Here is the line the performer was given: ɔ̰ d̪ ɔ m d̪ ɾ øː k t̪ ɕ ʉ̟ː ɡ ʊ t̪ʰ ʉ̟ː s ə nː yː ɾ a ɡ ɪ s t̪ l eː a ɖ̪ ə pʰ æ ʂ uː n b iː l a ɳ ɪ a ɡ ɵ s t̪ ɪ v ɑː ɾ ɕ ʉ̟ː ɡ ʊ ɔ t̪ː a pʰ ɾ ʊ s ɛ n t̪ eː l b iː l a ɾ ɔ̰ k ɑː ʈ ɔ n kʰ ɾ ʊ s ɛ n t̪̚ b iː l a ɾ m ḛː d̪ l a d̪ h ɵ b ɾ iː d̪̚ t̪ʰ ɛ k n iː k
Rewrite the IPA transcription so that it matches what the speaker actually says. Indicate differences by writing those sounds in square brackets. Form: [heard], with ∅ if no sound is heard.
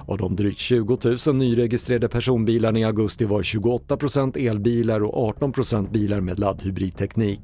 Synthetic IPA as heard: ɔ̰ d̪ ɔ m d̪ ɾ [yː] k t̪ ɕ ʉ̟ː ɡ ʊ t̪ʰ ʉ̟ː s ə nː yː ɾ [ɛ] ɡ ɪ s t̪ [ɾ] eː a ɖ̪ ə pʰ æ ʂ uː n b iː l a ɳ ɪ a ɡ ɵ s t̪ ɪ v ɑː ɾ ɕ ʉ̟ː ɡ ʊ ɔ t̪ː a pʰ ɾ ʊ s ɛ n t̪ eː l b iː l a ɾ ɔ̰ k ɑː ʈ ɔ n [pʰ] ɾ ʊ s ɛ n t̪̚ b iː l a ɾ m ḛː d̪ l a d̪ h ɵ b ɾ iː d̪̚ t̪ʰ ɛ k n iː k